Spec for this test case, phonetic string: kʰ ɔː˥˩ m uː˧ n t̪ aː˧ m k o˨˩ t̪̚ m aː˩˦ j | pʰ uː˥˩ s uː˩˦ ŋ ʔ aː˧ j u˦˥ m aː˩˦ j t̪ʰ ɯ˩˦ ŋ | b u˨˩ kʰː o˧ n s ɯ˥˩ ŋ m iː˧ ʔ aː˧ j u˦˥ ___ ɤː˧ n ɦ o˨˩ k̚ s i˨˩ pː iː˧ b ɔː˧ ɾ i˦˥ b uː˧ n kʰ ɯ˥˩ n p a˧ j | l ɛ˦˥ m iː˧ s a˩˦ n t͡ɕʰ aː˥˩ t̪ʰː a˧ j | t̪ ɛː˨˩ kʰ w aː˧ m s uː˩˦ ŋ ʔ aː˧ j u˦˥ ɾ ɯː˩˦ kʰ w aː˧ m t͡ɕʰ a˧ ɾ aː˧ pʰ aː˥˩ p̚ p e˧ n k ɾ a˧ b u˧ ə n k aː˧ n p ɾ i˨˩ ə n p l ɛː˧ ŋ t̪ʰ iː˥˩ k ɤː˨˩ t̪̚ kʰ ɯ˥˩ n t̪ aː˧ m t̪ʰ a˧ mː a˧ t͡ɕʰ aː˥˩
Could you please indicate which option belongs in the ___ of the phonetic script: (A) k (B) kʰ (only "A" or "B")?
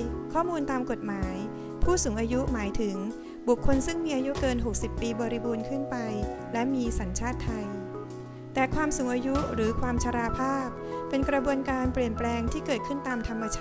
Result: A